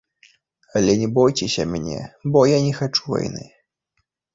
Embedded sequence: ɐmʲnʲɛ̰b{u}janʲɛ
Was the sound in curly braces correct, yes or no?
no